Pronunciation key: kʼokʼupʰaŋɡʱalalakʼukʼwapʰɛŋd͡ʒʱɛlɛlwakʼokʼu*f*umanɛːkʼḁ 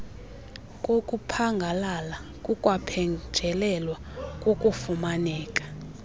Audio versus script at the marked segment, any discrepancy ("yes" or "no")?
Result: no